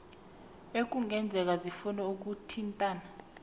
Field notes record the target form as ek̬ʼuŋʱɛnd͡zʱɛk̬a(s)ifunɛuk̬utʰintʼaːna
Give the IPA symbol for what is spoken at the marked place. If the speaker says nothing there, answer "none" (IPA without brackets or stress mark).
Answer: z